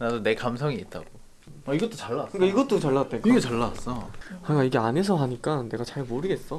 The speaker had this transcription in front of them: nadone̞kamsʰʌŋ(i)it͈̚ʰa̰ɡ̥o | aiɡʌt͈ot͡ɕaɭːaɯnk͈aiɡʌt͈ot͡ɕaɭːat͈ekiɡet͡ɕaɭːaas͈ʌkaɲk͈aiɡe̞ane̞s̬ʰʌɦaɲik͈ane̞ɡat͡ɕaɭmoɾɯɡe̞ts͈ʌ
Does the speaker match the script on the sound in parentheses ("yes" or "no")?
yes